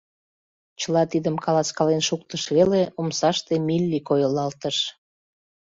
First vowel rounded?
no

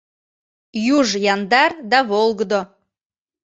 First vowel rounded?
yes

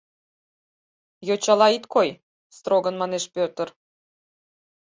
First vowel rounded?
yes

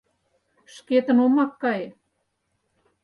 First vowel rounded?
no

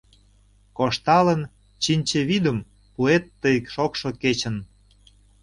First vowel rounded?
yes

